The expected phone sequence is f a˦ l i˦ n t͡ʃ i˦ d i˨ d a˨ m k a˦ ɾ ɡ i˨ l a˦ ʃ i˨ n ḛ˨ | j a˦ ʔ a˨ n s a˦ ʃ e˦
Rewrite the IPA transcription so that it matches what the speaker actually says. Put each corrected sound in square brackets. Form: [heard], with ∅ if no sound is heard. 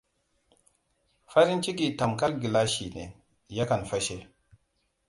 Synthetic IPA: f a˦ [ɾ] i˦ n t͡ʃ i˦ [ɡ] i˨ [t] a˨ m k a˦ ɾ ɡ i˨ l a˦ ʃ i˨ n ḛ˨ | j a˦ [k] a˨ n [f] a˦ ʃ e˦